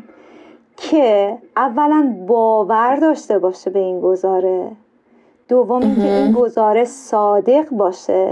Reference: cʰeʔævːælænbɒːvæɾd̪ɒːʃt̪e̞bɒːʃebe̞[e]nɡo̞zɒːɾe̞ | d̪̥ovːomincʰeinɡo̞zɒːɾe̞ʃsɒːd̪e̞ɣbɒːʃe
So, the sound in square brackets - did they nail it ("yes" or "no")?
no